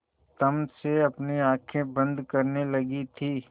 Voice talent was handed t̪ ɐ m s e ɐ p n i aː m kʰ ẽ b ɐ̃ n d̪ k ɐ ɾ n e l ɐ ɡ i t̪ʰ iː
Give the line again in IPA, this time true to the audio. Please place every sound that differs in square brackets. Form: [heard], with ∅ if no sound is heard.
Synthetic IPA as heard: t̪ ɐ m s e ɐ p n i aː [∅] kʰ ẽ b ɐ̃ n d̪ k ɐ ɾ n e l ɐ ɡ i t̪ʰ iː